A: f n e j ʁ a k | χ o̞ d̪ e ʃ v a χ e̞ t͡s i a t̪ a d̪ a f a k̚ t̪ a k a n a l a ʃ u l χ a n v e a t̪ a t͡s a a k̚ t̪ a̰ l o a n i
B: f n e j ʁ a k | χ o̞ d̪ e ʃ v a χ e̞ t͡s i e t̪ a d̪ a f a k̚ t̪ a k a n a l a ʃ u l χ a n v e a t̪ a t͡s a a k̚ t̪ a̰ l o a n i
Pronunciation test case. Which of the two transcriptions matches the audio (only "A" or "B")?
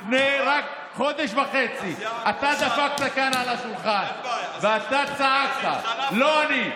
A